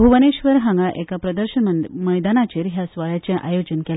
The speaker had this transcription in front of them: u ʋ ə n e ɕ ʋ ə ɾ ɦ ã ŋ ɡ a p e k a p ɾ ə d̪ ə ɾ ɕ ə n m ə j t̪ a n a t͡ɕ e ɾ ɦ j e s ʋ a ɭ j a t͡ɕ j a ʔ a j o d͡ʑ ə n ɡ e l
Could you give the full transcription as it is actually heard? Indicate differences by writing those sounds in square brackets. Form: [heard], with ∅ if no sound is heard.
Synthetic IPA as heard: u ʋ ə n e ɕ ʋ ə ɾ ɦ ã ŋ ɡ a [ʔ] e k a p ɾ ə d̪ ə ɾ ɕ ə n m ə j [d̪] a n a t͡ɕ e ɾ ɦ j [a] s ʋ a ɭ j a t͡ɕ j a ʔ a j o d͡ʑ ə n [k] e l

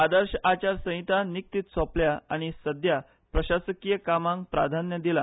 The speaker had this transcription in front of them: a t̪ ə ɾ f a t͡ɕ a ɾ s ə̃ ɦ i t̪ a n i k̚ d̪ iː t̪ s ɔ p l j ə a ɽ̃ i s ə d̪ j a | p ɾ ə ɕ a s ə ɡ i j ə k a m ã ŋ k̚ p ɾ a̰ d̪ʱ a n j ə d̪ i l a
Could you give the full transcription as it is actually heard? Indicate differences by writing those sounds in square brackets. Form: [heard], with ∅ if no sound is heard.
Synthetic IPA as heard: a [d̪] ə ɾ [ɕ] a t͡ɕ a ɾ s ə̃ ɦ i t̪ a n i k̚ [t̪] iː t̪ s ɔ p l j [a] a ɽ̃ i s ə d̪ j a | p ɾ ə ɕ a s ə [k] i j ə k a m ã ŋ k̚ p ɾ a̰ d̪ʱ a n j ə d̪ i l a

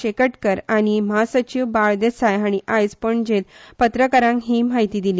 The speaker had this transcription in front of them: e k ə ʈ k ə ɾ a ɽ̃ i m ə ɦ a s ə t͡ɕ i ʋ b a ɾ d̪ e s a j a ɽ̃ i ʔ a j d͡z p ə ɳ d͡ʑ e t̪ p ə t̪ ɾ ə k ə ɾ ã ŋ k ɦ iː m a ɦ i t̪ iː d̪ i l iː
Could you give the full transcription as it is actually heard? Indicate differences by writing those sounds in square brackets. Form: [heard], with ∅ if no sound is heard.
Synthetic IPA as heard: e k ə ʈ k ə ɾ a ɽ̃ i m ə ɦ a s ə t͡ɕ i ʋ b a [ɭ] d̪ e s a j a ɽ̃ i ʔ a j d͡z p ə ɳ d͡ʑ e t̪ p ə t̪ ɾ ə k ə ɾ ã ŋ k ɦ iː m a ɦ i t̪ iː d̪ i l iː

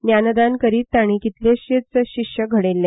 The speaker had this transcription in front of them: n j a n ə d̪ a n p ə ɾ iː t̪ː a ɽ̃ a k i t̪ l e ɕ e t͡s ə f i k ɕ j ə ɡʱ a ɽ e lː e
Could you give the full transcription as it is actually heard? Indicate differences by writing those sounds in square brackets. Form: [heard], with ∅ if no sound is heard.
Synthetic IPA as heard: n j a n ə d̪ a n [k] ə ɾ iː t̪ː a ɽ̃ [i] k i t̪ l e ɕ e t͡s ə [ɕ] i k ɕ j ə ɡʱ [ə] ɽ e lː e

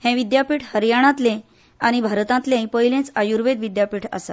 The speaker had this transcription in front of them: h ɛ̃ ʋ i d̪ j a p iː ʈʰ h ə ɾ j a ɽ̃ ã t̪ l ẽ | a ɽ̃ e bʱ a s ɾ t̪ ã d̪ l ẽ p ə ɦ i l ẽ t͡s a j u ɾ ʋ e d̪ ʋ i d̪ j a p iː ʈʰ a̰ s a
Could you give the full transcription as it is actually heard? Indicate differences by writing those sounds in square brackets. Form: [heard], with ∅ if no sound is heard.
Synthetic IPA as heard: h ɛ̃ ʋ i d̪ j a p iː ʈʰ h ə ɾ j a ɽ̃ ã t̪ l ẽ | a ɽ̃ [i] bʱ a [∅] ɾ t̪ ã [t̪] l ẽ p ə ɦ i l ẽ t͡s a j u ɾ ʋ e d̪ ʋ i d̪ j a p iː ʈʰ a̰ s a

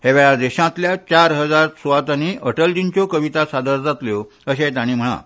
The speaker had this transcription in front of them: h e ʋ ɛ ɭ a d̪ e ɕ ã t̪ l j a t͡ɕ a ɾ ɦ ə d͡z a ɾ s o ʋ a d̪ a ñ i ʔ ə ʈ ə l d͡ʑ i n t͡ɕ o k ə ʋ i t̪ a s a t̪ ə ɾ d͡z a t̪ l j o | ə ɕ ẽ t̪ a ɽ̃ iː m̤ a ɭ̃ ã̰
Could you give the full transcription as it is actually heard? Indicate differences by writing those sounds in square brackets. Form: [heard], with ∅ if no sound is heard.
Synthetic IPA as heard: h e ʋ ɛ ɭ a d̪ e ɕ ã t̪ l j a t͡ɕ a ɾ ɦ ə d͡z a ɾ s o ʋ a [t̪] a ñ i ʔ ə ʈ ə l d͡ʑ i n t͡ɕ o k ə ʋ i t̪ a s a [d̪] ə ɾ d͡z a t̪ l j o | ə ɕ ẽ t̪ a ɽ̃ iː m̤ [ə] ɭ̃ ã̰

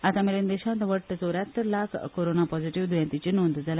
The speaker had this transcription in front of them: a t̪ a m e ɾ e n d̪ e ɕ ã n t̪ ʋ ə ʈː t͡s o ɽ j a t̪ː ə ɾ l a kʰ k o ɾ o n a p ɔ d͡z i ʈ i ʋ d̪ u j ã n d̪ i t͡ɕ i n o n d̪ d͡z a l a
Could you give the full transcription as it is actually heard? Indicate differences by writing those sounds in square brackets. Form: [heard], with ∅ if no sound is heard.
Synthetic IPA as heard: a t̪ a m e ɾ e n d̪ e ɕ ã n t̪ ʋ ə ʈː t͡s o [ɾ] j a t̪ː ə ɾ l a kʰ k o ɾ o n a p ɔ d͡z i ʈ i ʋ d̪ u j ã n [t̪] i t͡ɕ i n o n d̪ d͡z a l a

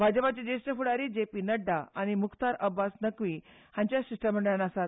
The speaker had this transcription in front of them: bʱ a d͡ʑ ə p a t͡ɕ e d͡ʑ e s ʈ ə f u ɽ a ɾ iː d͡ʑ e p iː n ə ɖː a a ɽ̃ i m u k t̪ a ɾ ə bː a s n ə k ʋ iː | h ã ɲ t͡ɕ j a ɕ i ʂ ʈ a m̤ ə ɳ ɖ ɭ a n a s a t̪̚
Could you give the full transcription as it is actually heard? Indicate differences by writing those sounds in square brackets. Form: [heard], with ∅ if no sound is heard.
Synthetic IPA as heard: bʱ a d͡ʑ ə p a t͡ɕ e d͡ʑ e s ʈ ə f u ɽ a ɾ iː d͡ʑ e p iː n ə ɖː a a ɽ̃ i m u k t̪ a ɾ ə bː a s n ə k ʋ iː | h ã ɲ t͡ɕ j a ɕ i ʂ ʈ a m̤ ə ɳ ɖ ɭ a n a s a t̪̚

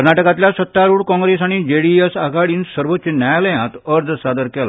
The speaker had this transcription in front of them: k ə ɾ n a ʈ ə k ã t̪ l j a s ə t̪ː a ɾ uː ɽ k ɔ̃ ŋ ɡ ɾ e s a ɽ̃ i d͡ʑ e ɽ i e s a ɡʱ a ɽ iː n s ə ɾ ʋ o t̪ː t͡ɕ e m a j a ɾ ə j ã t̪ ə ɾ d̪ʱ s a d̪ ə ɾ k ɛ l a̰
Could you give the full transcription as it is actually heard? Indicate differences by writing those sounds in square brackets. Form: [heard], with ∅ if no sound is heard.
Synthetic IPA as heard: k ə ɾ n a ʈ ə k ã t̪ l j a s ə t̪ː a ɾ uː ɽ k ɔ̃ ŋ ɡ ɾ e s a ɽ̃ i d͡ʑ e ɽ i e s a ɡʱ a ɽ iː n s ə ɾ ʋ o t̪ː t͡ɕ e [n] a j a [l] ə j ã t̪ ə ɾ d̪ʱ s a d̪ ə ɾ k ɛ l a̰

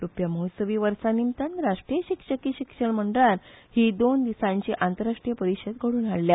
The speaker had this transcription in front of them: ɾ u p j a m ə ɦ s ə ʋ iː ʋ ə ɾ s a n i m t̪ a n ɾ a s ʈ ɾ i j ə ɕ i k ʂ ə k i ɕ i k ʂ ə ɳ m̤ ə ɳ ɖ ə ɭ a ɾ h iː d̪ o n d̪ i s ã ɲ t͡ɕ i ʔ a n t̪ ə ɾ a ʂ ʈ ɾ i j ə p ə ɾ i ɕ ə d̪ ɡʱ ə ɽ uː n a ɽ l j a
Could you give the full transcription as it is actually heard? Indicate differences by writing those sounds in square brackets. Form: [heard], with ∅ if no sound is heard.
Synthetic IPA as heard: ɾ u p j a m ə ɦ s ə ʋ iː ʋ ə ɾ s a n i m t̪ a n ɾ a [ʂ] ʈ ɾ i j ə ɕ i k ʂ ə k i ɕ i k ʂ ə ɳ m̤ ə ɳ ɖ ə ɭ a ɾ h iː d̪ o n d̪ i s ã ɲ t͡ɕ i ʔ a n t̪ ə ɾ a ʂ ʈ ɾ i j ə p ə ɾ i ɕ ə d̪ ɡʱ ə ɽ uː n a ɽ l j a

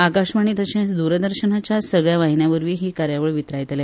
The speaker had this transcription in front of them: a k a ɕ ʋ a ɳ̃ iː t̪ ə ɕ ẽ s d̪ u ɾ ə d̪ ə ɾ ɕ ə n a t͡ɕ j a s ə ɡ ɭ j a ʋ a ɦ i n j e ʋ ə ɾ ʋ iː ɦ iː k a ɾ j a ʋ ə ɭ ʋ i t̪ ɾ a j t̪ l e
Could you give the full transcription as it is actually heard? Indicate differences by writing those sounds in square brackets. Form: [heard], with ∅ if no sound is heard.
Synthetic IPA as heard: a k a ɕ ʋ a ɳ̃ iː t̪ ə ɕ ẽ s d̪ u ɾ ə d̪ ə ɾ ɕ ə n a t͡ɕ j a s ə ɡ ɭ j a ʋ a ɦ i n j [a] ʋ ə ɾ ʋ iː ɦ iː k a ɾ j a ʋ ə ɭ ʋ i t̪ ɾ a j t̪ l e

